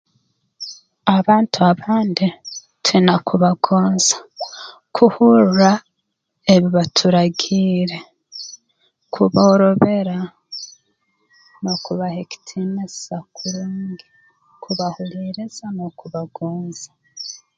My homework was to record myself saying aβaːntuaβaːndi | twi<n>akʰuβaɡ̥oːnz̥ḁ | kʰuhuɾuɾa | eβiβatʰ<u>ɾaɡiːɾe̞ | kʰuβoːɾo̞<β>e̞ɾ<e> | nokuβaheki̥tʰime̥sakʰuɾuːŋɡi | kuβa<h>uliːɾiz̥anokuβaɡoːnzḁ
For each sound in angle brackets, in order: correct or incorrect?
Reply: correct, correct, correct, incorrect: a, correct

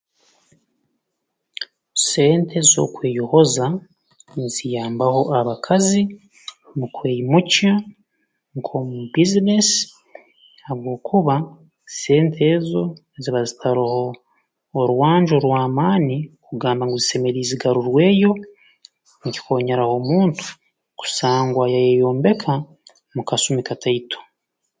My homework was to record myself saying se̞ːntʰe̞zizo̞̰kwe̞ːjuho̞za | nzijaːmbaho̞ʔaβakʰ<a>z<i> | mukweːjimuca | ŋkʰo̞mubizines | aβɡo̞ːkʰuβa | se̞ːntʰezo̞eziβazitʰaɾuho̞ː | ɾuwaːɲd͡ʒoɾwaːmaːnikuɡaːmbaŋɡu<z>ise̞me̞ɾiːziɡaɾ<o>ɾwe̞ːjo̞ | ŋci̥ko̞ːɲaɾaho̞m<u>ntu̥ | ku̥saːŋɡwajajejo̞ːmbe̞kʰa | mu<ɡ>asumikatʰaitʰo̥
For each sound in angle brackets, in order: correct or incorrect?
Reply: correct, correct, correct, incorrect: u, incorrect: uː, incorrect: k

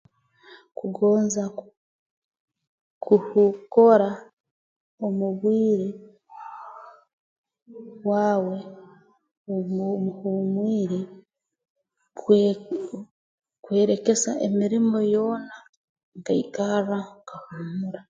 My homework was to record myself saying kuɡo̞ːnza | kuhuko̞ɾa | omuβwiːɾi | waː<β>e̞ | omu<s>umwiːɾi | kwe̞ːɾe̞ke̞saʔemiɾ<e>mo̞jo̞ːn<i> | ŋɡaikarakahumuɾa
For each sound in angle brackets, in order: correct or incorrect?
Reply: incorrect: w, incorrect: h, incorrect: i, incorrect: a

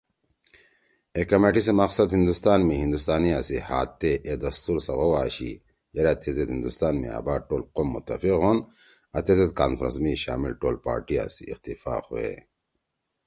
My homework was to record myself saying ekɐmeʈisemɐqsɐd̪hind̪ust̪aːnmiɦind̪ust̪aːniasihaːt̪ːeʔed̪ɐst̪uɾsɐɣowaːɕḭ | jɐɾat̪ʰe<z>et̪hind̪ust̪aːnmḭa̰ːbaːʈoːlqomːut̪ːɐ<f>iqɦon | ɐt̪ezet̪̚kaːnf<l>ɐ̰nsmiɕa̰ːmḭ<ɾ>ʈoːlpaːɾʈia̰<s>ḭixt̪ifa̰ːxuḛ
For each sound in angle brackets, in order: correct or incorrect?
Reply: correct, correct, incorrect: ɾ, incorrect: l, correct

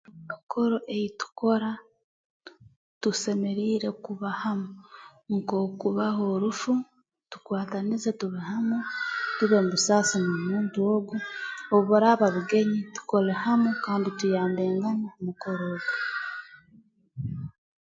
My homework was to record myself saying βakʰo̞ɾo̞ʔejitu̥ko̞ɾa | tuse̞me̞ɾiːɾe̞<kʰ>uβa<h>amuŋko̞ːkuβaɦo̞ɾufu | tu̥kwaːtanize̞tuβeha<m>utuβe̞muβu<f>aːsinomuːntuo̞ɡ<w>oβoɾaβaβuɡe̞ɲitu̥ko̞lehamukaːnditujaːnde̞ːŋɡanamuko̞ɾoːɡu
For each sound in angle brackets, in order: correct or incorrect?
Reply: incorrect: k, correct, correct, incorrect: s, incorrect: u

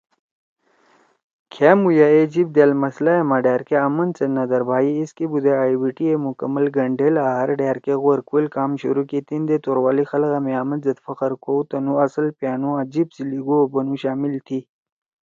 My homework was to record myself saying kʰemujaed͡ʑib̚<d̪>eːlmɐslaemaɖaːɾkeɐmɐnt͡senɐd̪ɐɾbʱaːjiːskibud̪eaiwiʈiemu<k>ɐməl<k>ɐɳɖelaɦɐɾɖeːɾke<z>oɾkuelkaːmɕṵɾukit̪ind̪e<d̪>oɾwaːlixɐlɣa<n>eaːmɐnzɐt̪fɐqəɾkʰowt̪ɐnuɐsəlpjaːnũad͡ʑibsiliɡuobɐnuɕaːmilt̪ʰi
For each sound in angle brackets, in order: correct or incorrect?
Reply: correct, correct, incorrect: ɡ, incorrect: ɣ, incorrect: t̪, incorrect: m

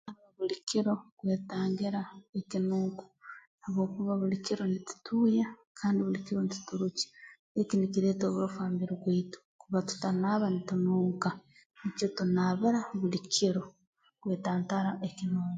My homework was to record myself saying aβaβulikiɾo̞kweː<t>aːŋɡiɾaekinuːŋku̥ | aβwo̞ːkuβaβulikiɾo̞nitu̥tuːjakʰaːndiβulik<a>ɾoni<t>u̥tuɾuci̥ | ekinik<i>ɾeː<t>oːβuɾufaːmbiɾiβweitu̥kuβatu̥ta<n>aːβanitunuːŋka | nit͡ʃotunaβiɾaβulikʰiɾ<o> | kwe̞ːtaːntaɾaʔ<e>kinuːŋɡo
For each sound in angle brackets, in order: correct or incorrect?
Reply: correct, incorrect: i, correct, correct, correct, correct, correct, correct

